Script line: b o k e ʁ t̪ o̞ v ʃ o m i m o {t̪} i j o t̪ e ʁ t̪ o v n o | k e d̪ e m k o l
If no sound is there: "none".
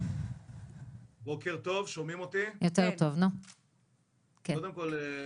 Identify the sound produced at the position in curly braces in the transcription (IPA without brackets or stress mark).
t̪